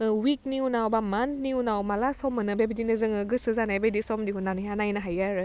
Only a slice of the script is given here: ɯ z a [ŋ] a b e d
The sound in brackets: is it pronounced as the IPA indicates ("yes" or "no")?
no